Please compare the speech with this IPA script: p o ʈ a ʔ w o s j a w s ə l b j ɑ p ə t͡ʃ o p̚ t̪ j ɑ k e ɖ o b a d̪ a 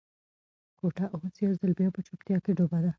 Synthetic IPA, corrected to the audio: k o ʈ a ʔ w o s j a w z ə l b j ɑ p ə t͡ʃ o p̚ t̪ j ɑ k e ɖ o b a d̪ a